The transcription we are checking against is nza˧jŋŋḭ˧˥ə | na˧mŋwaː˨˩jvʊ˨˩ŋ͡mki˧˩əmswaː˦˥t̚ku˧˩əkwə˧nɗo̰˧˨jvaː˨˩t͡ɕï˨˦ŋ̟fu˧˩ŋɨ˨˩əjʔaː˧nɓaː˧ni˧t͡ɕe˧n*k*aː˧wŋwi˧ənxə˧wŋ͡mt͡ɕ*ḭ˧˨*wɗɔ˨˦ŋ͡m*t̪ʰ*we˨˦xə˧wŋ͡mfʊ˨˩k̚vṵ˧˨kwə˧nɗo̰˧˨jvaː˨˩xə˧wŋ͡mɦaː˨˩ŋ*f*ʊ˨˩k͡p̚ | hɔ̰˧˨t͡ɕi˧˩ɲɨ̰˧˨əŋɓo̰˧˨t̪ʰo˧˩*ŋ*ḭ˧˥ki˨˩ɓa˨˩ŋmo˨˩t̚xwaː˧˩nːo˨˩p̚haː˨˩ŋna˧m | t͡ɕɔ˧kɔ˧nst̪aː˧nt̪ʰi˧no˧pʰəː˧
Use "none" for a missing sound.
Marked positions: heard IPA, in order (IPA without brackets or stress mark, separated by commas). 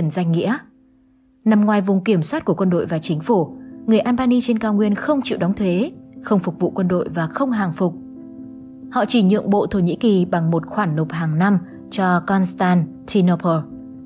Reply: k, ḭ˧˨, t̪ʰ, f, ɲ